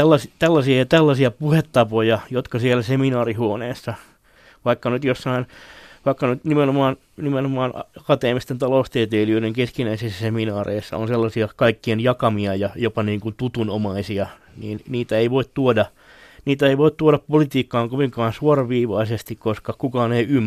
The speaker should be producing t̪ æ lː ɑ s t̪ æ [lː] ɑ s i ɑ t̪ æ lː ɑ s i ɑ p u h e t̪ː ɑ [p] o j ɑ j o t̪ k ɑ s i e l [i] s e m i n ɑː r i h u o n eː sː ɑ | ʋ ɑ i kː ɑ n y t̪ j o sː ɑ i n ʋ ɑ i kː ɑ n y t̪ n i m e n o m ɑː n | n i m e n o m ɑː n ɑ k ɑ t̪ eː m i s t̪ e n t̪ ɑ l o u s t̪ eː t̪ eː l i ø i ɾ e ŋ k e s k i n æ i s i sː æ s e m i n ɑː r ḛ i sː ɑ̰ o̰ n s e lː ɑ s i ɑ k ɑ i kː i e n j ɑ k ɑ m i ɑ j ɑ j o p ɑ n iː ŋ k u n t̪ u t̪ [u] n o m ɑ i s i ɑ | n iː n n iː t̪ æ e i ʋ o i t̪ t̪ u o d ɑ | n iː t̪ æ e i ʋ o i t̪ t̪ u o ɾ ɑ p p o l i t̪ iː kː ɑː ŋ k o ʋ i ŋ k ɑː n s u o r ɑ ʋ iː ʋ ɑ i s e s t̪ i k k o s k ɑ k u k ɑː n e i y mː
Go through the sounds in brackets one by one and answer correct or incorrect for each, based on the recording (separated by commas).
correct, correct, incorrect, correct